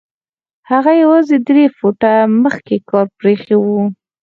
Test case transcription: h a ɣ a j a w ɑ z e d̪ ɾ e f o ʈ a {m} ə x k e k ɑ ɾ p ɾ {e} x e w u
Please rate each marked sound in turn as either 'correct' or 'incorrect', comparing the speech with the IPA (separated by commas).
correct, correct